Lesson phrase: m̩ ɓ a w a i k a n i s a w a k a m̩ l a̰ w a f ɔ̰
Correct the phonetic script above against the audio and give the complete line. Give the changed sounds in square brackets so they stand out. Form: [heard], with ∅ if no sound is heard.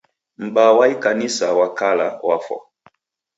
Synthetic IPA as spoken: m̩ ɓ a w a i k a n i s a w a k a [∅] l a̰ w a f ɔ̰